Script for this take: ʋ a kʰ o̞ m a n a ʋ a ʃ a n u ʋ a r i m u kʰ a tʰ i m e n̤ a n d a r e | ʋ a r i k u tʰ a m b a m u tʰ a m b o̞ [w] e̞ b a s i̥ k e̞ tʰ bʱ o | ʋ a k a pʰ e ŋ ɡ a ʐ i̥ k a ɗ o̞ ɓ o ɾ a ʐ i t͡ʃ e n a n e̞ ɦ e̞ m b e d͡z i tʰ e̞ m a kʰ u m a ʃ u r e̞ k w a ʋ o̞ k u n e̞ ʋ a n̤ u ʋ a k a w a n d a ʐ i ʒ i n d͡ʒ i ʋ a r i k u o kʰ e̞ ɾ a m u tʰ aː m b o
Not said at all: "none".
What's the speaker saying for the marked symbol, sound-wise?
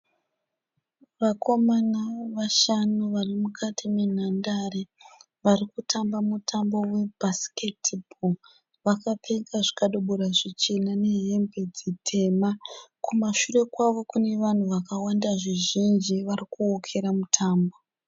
w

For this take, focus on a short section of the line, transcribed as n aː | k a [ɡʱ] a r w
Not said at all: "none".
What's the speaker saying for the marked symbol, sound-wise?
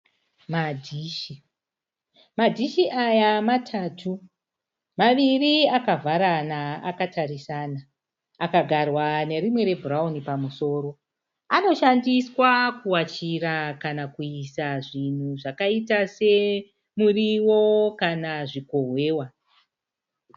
ɡʱ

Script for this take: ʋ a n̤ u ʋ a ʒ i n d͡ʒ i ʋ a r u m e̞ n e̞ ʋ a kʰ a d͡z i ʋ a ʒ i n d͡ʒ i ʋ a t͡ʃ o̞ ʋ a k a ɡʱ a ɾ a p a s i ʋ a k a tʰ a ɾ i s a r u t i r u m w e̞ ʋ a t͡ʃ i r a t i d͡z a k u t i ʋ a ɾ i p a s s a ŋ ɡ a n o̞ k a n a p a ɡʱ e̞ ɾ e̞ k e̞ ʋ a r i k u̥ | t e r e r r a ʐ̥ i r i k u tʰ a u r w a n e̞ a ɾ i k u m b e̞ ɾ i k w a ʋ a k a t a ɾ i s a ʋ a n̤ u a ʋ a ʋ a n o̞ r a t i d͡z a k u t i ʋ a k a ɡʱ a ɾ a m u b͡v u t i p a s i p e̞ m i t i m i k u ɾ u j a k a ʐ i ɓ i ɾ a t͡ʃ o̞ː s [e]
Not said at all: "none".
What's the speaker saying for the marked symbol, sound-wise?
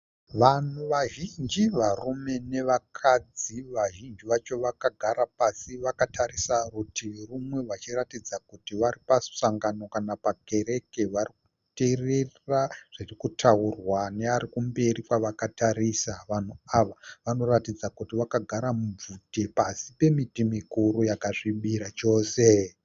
e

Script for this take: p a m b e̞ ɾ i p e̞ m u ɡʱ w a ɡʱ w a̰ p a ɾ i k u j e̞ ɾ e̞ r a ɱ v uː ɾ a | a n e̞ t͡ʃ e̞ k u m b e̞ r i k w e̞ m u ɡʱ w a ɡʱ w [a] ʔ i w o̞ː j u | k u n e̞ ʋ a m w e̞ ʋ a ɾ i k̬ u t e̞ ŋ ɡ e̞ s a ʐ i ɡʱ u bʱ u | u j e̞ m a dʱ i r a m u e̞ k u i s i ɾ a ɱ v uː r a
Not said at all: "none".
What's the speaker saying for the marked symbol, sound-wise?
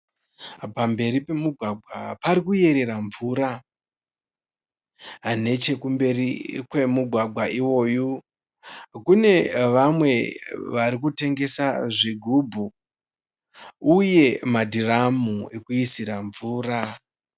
a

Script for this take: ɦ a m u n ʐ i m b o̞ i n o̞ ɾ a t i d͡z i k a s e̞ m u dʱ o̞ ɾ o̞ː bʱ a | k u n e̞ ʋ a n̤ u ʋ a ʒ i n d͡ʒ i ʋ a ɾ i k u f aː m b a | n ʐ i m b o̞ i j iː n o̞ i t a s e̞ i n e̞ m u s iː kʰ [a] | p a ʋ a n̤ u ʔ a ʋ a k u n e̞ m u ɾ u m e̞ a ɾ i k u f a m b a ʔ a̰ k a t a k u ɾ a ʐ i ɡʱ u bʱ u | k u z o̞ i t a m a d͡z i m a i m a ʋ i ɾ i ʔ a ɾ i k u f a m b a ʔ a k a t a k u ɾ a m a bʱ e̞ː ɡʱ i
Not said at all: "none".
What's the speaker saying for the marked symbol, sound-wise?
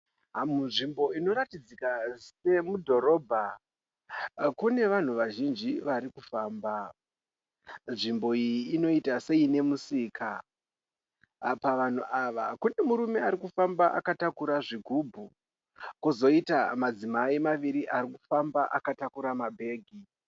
a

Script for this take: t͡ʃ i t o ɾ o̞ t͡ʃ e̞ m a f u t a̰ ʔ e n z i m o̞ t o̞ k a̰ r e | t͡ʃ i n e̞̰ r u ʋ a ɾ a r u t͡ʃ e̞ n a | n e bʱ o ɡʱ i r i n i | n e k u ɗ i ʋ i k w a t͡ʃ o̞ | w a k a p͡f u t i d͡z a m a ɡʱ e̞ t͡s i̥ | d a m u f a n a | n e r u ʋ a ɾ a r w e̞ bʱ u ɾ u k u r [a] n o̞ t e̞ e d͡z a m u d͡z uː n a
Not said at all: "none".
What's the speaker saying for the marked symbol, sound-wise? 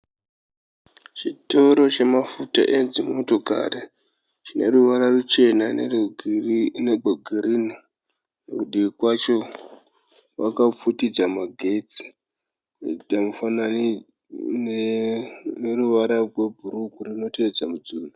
i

